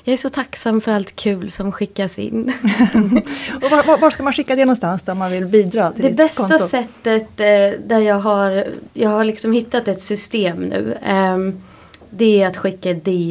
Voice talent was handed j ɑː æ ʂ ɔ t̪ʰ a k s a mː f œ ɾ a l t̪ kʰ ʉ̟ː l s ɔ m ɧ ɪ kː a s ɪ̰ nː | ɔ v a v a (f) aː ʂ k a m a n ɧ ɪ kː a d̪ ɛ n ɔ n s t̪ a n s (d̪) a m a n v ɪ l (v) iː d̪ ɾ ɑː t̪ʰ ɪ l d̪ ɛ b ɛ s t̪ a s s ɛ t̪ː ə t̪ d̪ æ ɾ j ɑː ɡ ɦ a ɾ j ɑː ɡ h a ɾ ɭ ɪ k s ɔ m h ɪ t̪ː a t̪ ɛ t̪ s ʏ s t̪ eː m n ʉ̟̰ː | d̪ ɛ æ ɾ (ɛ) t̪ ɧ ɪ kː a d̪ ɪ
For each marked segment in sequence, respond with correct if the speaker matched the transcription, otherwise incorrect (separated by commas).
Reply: incorrect, correct, incorrect, incorrect